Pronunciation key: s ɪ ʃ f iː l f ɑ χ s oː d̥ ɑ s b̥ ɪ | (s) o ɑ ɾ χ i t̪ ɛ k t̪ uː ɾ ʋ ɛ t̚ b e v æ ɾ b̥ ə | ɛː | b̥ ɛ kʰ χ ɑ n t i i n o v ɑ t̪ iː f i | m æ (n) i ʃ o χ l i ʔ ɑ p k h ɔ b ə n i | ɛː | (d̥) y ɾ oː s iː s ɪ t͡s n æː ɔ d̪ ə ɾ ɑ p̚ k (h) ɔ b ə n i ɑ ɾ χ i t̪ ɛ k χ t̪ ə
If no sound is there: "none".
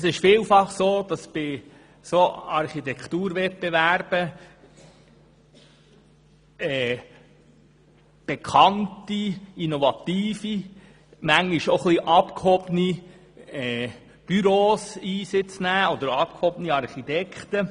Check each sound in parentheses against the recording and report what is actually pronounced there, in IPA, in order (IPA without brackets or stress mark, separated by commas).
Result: s, ŋ, b̥, h